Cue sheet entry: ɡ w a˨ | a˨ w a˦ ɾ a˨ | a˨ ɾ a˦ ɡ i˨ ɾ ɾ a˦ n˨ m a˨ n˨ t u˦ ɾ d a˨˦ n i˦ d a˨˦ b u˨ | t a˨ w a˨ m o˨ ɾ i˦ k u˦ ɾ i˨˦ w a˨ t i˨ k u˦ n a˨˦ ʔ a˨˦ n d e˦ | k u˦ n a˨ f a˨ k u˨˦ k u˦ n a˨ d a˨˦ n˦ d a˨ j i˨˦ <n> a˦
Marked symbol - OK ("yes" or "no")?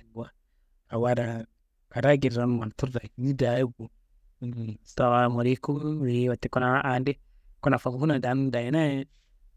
yes